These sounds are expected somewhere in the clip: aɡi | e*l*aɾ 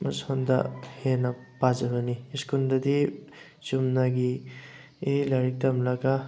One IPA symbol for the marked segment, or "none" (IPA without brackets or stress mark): l